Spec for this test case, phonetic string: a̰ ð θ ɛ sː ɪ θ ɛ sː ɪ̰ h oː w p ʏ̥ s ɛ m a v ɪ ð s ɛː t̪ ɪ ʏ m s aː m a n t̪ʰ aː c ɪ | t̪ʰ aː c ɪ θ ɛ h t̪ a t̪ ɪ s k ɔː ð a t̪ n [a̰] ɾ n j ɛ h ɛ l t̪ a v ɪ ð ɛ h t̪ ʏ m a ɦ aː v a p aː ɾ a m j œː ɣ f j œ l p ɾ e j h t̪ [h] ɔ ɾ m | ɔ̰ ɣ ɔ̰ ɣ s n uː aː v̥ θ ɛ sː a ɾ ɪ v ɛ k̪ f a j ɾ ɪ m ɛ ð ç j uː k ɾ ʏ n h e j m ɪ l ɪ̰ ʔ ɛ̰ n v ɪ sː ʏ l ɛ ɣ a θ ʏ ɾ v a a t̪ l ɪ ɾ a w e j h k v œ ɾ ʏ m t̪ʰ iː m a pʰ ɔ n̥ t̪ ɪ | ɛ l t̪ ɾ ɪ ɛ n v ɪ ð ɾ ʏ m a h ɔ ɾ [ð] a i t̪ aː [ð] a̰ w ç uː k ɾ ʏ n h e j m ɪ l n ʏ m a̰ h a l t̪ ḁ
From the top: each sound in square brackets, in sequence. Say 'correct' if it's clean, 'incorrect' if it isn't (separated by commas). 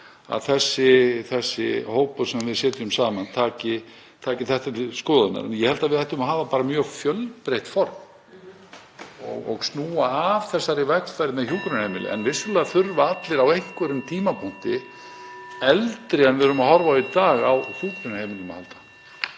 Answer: correct, incorrect, incorrect, incorrect